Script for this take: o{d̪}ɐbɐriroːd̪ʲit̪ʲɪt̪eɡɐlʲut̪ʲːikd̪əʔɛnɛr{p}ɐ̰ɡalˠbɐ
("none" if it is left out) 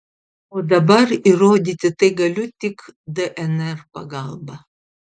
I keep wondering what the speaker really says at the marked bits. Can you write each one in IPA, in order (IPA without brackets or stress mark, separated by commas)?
d̪, p